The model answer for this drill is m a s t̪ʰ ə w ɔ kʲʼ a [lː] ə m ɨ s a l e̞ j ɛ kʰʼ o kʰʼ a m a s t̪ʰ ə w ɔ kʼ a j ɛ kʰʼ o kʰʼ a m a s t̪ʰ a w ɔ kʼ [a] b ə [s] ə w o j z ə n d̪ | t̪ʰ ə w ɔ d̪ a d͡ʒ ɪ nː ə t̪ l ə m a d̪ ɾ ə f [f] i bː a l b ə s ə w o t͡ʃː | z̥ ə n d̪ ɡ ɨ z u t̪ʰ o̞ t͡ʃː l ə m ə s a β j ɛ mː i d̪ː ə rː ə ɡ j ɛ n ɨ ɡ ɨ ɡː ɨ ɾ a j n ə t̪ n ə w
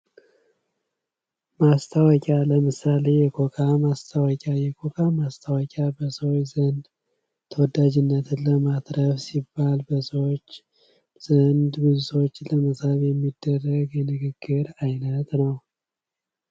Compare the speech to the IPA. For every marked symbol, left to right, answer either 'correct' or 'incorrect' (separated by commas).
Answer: incorrect, correct, correct, incorrect